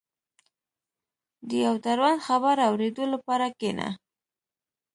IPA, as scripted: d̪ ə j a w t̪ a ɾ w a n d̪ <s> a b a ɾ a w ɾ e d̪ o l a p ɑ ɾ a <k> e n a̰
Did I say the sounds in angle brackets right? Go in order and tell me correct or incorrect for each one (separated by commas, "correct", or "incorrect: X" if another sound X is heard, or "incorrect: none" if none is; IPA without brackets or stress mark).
incorrect: x, correct